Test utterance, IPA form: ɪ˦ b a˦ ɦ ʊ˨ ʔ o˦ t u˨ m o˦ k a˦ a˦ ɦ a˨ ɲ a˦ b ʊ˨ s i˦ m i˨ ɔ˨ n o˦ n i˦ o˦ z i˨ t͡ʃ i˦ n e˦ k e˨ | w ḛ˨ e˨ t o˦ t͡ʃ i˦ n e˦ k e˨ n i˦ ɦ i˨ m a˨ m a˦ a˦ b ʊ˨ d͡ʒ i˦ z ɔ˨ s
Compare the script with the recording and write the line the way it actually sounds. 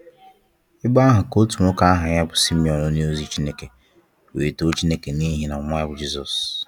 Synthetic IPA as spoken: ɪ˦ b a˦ ɦ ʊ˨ k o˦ t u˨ m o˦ k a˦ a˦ ɦ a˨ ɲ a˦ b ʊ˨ s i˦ m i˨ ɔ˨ n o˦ n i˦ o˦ z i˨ t͡ʃ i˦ n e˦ k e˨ | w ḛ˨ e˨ t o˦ t͡ʃ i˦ n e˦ k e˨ n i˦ ɦ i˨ n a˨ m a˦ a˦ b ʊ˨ d͡ʒ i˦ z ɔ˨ s

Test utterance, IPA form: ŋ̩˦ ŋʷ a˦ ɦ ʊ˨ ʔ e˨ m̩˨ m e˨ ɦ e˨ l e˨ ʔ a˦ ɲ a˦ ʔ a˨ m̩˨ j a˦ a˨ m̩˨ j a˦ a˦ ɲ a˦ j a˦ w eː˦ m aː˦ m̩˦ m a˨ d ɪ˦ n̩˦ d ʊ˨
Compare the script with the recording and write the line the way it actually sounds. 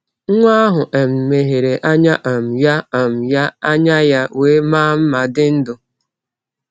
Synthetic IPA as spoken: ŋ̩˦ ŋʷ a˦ ɦ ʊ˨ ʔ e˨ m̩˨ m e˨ ɦ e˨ ɾ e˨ ʔ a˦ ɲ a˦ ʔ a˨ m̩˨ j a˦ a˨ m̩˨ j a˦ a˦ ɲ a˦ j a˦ w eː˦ m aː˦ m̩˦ m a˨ d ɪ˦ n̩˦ d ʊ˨

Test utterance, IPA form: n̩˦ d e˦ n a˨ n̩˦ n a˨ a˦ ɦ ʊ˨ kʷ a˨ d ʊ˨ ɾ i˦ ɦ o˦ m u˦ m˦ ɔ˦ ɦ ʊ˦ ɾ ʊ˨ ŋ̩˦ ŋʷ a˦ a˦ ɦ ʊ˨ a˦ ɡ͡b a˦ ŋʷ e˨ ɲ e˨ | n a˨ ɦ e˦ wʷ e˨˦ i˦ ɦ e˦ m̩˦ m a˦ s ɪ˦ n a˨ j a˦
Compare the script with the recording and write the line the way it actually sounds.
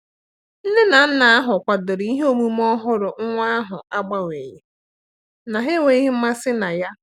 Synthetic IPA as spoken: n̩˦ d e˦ n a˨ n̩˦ n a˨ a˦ ɦ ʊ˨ kʷ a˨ d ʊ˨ ɾ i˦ ɦ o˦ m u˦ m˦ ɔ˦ ɦ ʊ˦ ɾ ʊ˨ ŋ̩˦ ŋʷ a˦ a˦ ɦ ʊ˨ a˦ ɡ͡b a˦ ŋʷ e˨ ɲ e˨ | n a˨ ɦ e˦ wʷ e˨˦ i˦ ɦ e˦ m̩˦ m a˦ s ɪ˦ n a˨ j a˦

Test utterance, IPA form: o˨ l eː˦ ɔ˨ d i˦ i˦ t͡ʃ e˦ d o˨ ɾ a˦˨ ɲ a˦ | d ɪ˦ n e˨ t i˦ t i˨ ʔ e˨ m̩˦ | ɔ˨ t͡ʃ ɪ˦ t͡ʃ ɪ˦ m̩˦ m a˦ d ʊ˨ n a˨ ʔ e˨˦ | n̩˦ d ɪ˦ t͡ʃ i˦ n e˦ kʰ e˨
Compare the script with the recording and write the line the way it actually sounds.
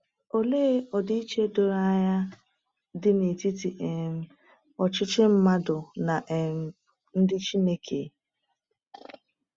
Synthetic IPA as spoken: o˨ l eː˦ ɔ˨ d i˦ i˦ t͡ʃ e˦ d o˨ ɾ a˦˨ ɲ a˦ | d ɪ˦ n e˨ t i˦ t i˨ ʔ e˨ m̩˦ | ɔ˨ t͡ʃ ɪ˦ t͡ʃ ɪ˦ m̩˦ m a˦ d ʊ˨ n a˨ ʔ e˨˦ | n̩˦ d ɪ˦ t͡ʃ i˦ n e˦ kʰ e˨

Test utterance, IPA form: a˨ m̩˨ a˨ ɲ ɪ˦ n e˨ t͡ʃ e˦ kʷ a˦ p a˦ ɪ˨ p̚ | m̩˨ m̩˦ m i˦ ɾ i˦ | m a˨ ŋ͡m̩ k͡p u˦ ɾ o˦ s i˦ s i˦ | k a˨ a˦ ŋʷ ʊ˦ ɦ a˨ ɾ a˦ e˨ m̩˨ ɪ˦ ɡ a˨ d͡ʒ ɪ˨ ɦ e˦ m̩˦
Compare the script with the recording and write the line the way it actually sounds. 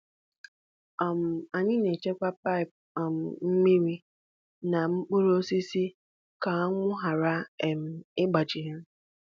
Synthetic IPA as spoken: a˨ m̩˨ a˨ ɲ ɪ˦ n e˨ t͡ʃ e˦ kʷ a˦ p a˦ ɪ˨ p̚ | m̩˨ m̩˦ m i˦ ɾ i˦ | n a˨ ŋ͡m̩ k͡p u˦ ɾ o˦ s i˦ s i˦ | k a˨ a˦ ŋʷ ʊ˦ ɦ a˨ ɾ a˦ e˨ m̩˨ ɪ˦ ɡ͡b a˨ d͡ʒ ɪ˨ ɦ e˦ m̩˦

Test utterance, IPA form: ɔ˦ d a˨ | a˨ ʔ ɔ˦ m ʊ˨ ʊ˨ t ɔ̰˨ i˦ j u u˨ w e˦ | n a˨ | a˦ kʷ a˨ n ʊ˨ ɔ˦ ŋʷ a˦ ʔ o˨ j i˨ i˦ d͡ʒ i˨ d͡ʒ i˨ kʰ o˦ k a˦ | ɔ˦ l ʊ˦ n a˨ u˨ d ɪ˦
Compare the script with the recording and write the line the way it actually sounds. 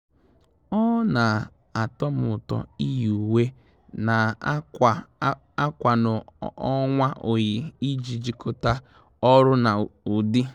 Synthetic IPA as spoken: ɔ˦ n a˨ | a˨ t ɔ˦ m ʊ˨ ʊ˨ t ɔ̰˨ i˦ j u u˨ w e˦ | n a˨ | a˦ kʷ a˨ n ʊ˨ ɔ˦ ŋʷ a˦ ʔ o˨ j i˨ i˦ d͡ʒ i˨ d͡ʒ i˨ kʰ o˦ t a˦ | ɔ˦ ɾ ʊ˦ n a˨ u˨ d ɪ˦

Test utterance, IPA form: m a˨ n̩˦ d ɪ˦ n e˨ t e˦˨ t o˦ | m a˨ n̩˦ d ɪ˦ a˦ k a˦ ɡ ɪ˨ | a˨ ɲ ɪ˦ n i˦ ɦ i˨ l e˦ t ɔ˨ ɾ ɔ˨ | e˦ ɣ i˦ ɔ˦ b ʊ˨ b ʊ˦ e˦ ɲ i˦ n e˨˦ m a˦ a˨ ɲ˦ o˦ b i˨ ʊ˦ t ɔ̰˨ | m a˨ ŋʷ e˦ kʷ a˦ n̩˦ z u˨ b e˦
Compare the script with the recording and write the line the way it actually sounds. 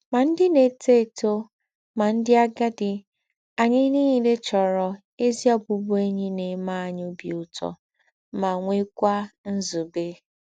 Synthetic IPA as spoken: m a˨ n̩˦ d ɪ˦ n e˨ t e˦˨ t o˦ | m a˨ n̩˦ d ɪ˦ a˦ ɡ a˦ d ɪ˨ | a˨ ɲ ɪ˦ n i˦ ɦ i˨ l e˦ t͡ʃ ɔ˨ ɾ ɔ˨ | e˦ z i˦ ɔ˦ b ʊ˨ b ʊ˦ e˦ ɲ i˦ n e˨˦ m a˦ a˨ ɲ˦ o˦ b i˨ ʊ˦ t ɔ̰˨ | m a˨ ŋʷ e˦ kʷ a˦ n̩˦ z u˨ b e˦

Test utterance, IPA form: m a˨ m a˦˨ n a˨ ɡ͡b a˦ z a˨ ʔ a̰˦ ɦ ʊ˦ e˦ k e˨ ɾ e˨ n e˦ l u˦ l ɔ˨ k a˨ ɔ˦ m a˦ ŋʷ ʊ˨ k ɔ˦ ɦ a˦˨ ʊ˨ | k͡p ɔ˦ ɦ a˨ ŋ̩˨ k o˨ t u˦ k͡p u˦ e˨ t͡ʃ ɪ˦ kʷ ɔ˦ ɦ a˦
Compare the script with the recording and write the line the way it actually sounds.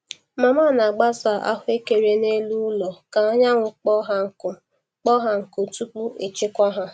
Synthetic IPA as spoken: m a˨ m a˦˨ n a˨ ɡ͡b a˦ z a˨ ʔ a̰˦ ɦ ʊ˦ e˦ k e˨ ɾ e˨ n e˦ l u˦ l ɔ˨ k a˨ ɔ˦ ɲ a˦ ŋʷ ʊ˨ k͡p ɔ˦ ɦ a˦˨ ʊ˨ | k͡p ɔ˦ ɦ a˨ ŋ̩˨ k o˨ t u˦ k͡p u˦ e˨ t͡ʃ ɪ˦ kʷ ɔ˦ ɦ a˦

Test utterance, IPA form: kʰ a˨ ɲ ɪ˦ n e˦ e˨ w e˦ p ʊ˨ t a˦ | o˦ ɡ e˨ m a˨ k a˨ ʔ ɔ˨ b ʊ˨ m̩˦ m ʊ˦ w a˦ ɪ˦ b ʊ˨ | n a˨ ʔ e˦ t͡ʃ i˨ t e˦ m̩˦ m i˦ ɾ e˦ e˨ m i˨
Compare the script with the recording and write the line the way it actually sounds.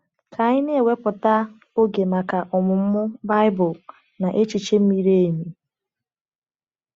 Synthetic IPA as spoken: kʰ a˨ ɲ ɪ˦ n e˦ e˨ w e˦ p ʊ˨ t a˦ | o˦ ɡ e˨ m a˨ k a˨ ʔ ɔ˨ m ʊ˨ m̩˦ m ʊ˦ b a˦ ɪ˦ b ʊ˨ | n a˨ ʔ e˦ t͡ʃ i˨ t͡ʃ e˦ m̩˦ m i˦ ɾ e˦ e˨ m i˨

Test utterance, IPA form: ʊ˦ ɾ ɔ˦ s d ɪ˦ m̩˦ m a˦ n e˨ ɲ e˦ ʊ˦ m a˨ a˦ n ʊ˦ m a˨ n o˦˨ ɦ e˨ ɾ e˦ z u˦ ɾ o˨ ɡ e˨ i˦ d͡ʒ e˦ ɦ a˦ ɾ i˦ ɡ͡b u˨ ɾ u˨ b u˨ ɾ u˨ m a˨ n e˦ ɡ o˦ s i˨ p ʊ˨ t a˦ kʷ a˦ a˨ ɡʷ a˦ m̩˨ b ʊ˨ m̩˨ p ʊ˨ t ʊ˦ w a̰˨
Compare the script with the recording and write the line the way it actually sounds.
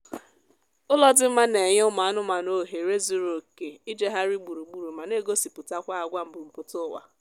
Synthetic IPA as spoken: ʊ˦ l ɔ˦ d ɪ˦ m̩˦ m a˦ n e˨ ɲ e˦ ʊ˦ m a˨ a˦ n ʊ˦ m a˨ n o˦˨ ɦ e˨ ɾ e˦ z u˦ ɾ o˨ k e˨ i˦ d͡ʒ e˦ ɦ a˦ ɾ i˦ ɡ͡b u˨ ɾ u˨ ɡ͡b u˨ ɾ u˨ m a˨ n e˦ ɡ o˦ s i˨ p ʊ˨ t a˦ kʷ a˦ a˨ ɡʷ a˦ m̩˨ b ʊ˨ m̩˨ p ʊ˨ t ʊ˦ w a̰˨

